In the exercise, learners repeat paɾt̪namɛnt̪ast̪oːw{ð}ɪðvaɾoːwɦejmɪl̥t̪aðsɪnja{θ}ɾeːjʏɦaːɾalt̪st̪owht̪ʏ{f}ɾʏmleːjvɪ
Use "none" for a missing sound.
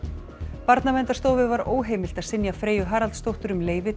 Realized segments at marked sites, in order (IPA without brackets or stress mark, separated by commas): v, f, none